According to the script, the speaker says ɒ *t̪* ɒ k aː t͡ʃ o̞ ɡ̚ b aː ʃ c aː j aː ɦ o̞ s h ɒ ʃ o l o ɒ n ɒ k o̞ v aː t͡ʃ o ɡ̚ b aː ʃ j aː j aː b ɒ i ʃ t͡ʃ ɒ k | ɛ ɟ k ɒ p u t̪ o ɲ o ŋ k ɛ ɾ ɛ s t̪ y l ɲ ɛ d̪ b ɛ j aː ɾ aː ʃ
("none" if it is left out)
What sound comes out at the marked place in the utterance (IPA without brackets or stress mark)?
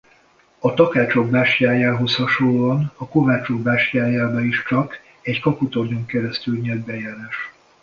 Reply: t̪